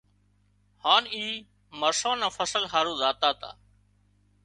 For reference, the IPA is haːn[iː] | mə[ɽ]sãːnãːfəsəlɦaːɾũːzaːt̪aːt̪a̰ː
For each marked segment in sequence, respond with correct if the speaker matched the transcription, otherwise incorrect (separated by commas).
correct, incorrect